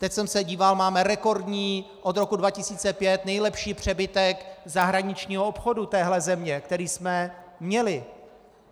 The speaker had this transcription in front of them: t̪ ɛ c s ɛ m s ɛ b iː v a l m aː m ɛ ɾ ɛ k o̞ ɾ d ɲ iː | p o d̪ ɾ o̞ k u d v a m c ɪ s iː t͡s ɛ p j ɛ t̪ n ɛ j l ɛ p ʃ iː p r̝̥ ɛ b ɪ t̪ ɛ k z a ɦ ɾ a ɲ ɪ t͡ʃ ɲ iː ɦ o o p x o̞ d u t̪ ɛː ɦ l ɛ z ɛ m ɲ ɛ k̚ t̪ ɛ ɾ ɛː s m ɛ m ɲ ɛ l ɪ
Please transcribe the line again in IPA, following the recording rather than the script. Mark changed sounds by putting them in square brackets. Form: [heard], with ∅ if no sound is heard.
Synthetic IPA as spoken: t̪ ɛ c s ɛ m s ɛ [ɟ] iː v a l m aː m ɛ ɾ ɛ k o̞ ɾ d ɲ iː | [ʔ] o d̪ ɾ o̞ k u d v a [∅] c ɪ s iː t͡s ɛ p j ɛ t̪ n ɛ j l ɛ p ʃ iː p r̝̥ ɛ b ɪ t̪ ɛ k z a ɦ ɾ a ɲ ɪ t͡ʃ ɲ iː ɦ o o p x o̞ d u t̪ ɛː ɦ l ɛ z ɛ m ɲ ɛ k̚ t̪ ɛ ɾ [iː] s m ɛ m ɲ ɛ l ɪ